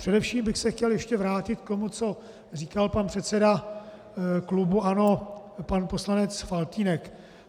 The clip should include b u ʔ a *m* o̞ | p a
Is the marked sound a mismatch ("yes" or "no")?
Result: yes